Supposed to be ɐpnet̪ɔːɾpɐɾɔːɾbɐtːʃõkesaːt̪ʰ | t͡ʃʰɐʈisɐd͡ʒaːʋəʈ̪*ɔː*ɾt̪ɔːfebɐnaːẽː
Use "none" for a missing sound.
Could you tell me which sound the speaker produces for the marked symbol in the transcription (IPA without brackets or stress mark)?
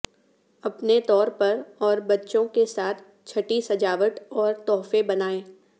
ɔː